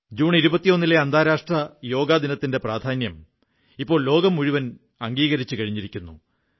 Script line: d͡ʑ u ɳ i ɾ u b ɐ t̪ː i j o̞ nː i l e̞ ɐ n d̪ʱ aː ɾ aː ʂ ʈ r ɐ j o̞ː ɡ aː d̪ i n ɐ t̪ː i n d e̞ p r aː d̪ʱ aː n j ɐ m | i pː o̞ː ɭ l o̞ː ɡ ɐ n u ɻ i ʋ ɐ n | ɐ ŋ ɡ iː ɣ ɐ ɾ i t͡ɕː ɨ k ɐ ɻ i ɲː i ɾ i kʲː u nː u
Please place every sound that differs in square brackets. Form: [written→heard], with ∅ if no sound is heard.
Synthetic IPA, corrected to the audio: d͡ʑ [u→uː] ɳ i ɾ u b ɐ t̪ː i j o̞ nː i l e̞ ɐ n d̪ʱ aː ɾ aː ʂ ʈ r ɐ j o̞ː ɡ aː d̪ i n ɐ t̪ː i n d e̞ p r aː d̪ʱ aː n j ɐ m | i pː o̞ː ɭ l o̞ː ɡ ɐ [n→m] u ɻ i ʋ ɐ n | ɐ ŋ ɡ iː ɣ ɐ ɾ i t͡ɕː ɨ k ɐ ɻ i ɲː i ɾ i kʲː u nː u